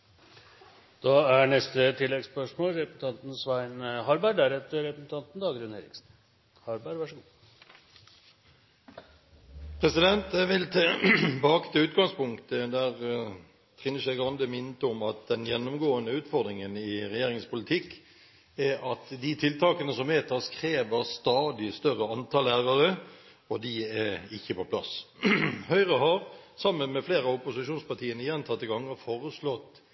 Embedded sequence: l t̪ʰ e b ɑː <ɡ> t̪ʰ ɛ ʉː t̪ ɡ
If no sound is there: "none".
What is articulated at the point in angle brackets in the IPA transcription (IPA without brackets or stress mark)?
k